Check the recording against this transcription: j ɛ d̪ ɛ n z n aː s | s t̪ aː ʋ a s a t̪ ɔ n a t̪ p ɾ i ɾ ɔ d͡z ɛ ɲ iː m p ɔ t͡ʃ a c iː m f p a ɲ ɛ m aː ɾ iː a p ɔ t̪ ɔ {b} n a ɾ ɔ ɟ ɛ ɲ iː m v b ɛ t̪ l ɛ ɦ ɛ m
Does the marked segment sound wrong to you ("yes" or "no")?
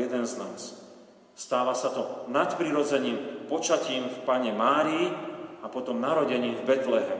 yes